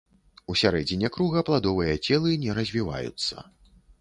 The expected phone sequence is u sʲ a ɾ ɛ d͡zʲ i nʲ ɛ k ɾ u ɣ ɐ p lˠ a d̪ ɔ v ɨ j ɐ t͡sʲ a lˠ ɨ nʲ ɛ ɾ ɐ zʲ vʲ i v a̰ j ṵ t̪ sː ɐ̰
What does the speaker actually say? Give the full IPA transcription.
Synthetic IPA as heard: u sʲ a ɾ ɛ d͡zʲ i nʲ ɛ k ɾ u ɣ ɐ p lˠ a d̪ ɔ v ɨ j ɐ t͡sʲ ɛ lˠ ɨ nʲ ɛ ɾ ɐ zʲ vʲ i v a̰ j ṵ t̪ sː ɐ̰